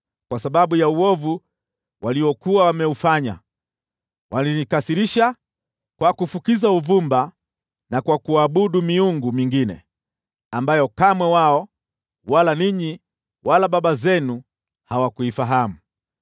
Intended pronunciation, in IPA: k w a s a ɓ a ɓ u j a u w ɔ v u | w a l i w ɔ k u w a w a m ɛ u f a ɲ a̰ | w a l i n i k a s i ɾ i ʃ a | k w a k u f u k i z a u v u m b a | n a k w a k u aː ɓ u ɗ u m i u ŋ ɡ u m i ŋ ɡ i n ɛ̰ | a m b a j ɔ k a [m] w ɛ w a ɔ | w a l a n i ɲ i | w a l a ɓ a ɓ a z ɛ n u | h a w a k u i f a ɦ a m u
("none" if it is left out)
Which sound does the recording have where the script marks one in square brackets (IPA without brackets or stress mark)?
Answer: m